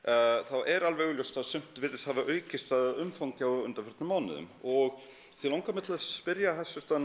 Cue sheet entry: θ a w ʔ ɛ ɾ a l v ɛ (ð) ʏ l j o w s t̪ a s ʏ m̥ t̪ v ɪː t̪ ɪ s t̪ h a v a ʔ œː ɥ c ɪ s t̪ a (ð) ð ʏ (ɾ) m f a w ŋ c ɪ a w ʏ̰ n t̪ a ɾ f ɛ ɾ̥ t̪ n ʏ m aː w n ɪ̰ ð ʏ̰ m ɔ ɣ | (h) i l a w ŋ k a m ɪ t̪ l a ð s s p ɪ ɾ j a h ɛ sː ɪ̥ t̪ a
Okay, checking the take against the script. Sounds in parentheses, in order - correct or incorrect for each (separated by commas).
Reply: incorrect, correct, incorrect, incorrect